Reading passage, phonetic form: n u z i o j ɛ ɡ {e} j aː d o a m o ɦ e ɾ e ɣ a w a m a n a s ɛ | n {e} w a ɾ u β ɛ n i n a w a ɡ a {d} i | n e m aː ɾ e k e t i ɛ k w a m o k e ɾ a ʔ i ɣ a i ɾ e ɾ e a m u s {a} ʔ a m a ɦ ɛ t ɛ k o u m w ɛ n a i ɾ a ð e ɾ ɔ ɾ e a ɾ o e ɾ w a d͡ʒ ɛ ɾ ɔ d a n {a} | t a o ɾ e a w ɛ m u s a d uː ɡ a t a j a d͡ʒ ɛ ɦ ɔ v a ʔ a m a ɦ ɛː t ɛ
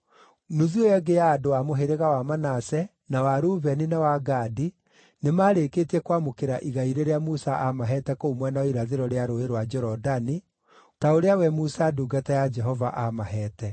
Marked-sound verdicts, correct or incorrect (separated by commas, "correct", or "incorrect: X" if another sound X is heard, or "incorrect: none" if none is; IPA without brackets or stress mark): correct, incorrect: a, correct, correct, incorrect: i